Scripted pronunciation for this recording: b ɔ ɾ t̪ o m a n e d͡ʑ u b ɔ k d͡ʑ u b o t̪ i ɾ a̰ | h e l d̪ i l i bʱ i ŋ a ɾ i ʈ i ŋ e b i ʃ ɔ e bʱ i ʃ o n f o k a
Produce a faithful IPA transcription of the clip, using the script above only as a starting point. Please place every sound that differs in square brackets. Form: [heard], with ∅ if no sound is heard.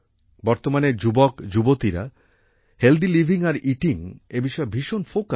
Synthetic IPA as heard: b ɔ ɾ t̪ o m a n e d͡ʑ u b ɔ k d͡ʑ u b o t̪ i ɾ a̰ | h e l d̪ i l i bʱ i ŋ a ɾ i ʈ i ŋ e b i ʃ ɔ e bʱ i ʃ o n f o k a